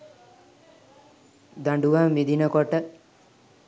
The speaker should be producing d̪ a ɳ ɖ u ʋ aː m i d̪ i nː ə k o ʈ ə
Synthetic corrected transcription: d̪ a ɳ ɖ u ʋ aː m i d̪ i n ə k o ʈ ə